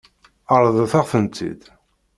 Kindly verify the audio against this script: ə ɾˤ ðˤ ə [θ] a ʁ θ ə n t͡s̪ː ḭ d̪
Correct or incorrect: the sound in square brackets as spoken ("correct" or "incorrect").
correct